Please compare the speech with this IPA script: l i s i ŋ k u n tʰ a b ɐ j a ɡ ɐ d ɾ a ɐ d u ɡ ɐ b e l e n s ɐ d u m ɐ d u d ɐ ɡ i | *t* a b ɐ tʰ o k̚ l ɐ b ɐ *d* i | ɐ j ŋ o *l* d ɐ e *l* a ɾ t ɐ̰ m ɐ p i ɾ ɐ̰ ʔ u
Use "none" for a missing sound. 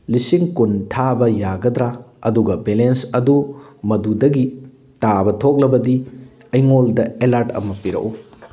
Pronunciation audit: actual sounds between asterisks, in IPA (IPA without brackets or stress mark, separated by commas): t, d, l, l